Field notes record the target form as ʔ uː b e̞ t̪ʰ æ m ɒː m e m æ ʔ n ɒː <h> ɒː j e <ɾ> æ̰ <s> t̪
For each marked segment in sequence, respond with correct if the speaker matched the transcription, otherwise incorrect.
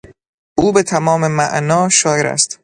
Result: incorrect: ʃ, correct, correct

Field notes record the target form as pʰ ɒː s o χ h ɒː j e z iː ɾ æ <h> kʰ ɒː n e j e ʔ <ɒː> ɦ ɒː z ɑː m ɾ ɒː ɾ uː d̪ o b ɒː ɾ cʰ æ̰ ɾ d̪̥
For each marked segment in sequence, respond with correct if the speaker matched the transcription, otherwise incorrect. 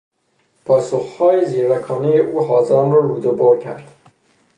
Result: incorrect: none, incorrect: uː

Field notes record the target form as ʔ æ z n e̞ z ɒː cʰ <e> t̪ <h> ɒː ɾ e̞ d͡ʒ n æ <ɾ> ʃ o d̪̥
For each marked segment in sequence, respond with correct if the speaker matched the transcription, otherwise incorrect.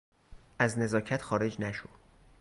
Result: incorrect: æ, incorrect: x, incorrect: none

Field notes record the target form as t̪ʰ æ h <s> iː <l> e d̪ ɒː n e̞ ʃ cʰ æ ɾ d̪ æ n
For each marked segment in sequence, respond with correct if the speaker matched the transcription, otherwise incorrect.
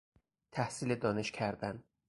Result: correct, correct

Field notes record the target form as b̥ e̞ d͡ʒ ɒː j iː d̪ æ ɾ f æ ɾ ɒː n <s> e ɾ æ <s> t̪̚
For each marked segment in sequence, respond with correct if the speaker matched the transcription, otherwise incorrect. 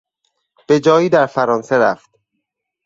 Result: correct, incorrect: f

